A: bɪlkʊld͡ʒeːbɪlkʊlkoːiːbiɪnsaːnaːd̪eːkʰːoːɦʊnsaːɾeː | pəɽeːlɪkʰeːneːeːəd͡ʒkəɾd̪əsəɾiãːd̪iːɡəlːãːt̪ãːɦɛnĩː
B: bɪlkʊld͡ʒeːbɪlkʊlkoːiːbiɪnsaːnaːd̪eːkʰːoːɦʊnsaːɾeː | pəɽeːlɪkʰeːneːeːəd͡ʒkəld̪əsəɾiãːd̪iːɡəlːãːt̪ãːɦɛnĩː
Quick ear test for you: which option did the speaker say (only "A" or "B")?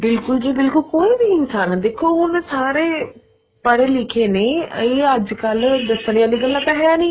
B